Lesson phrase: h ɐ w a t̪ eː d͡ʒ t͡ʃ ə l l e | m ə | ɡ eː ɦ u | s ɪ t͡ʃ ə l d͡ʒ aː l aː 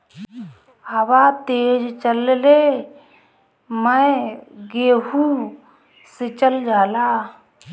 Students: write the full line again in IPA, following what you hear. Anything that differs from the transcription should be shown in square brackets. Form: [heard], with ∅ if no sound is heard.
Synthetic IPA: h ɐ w a t̪ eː d͡ʒ t͡ʃ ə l l e | m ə | ɡ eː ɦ u | s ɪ t͡ʃ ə l d͡ʒ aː l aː